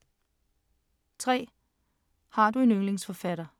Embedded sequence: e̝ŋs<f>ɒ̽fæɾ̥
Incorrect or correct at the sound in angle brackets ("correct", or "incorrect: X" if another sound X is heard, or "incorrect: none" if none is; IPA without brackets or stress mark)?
correct